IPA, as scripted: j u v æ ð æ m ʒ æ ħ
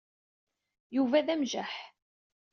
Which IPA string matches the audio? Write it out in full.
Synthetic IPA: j u v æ ð æ m ʒ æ ħ